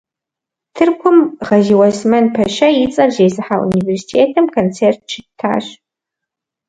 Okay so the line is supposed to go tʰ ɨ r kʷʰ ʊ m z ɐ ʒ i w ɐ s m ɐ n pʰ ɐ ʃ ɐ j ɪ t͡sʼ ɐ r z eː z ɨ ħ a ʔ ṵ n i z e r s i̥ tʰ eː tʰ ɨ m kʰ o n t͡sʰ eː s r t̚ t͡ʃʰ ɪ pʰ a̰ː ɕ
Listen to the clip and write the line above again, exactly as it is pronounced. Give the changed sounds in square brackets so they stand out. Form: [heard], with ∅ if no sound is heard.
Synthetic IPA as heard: tʰ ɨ r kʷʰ ʊ m [ʁ] ɐ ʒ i w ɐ s m ɐ n pʰ ɐ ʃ ɐ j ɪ t͡sʼ ɐ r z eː z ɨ ħ a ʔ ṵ n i [v] e r s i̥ tʰ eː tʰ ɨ m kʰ o n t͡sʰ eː [∅] r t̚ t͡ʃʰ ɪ [tʰ] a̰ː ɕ